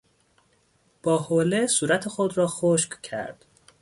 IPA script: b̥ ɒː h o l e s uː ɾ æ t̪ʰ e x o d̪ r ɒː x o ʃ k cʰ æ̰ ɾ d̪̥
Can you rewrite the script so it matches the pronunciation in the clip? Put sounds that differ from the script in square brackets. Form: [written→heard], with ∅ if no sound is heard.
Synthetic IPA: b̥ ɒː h o l e s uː ɾ æ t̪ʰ e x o d̪ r ɒː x o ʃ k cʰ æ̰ ɾ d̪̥